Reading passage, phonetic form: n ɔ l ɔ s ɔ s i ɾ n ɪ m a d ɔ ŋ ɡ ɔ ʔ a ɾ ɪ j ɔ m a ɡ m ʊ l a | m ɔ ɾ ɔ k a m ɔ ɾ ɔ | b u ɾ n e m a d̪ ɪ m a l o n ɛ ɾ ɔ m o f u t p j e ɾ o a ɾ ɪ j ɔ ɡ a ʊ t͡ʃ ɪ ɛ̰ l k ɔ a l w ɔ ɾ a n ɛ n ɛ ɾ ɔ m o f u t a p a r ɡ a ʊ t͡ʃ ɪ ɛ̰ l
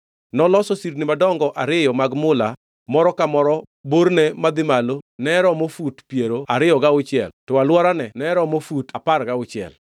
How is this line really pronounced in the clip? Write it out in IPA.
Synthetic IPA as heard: n ɔ l ɔ s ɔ s i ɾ n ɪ m a d ɔ ŋ ɡ ɔ ʔ a ɾ ɪ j ɔ m a ɡ m ʊ l a | m ɔ ɾ ɔ k a m ɔ ɾ ɔ | b o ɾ n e m a d̪ ɪ m a l o n ɛ ɾ ɔ m o f u t p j e ɾ o a ɾ ɪ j ɔ ɡ a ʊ t͡ʃ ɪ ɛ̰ l t ɔ a l w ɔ ɾ a n ɛ n ɛ ɾ ɔ m o f u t a p a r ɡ a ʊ t͡ʃ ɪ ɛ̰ l